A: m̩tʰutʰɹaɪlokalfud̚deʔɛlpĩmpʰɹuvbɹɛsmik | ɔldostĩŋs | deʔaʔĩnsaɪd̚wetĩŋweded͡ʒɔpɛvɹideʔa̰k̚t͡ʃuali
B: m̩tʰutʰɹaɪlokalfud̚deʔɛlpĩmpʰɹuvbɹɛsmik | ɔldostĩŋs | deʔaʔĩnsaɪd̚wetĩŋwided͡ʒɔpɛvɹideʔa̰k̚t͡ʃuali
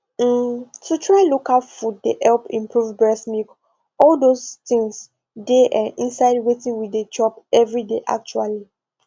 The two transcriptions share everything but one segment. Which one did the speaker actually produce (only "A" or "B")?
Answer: B